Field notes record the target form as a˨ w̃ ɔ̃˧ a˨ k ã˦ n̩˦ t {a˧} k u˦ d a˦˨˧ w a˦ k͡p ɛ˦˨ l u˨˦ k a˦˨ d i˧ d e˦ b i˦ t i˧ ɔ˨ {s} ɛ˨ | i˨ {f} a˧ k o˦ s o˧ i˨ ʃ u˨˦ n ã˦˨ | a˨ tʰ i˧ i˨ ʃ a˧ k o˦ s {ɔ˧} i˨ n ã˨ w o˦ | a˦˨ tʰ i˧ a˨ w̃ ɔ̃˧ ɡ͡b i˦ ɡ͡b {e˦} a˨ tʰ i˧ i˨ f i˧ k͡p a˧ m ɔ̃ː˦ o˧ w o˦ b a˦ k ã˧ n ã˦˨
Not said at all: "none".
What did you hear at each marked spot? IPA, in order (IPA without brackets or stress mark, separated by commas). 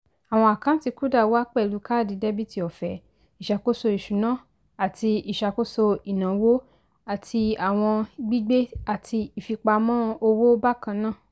i˧, f, ʃ, o˧, e˦